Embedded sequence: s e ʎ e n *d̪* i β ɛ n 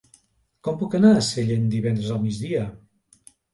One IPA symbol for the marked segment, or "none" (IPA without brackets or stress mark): d̪